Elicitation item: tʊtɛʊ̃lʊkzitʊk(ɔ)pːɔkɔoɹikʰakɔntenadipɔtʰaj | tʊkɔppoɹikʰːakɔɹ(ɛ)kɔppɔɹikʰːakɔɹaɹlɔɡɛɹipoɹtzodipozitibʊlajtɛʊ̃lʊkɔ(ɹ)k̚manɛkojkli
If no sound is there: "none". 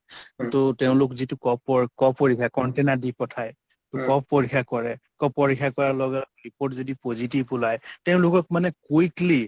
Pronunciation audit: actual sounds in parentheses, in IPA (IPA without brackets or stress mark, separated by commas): ɔ, ɛ, none